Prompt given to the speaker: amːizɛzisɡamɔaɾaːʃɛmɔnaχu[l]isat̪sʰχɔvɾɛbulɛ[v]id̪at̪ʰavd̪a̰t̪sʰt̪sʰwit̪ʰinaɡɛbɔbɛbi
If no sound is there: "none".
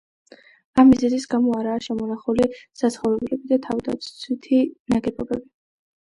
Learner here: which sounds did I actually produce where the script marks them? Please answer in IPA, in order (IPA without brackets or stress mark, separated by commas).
l, b